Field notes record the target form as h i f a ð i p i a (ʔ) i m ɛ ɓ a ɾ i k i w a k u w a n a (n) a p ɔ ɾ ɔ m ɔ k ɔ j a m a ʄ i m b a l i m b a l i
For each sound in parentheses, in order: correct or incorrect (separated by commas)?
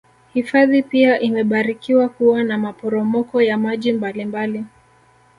correct, incorrect